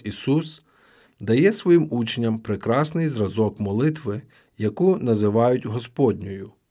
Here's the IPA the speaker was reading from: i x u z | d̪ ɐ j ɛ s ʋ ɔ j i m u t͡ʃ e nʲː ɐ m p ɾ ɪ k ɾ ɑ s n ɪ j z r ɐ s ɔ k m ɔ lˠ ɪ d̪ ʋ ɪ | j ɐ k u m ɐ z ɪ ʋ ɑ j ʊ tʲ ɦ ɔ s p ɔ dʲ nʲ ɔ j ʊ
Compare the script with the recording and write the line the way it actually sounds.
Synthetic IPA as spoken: i s u s | d̪ ɐ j ɛ s ʋ ɔ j i m u t͡ʃ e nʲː ɐ m p ɾ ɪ k ɾ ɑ s n ɪ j z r ɐ z ɔ k m ɔ lˠ ɪ t̪ ʋ ɪ | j ɐ k u n ɐ z ɪ ʋ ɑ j ʊ tʲ ɦ ɔ s p ɔ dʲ nʲ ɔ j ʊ